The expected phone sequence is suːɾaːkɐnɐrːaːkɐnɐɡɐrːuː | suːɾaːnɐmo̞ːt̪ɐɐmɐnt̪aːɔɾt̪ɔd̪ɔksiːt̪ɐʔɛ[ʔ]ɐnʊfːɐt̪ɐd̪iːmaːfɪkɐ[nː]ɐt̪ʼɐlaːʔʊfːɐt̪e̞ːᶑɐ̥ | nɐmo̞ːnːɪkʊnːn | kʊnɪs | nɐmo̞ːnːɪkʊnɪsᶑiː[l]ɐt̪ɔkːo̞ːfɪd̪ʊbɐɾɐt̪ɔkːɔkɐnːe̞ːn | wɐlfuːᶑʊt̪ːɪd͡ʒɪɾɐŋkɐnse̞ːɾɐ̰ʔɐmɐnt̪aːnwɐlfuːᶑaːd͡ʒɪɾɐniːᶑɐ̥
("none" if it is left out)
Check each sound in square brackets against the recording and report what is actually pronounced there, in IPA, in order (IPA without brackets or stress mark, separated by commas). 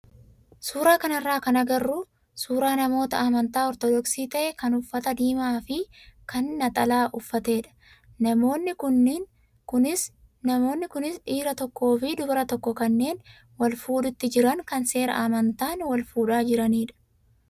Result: k, nː, ɾ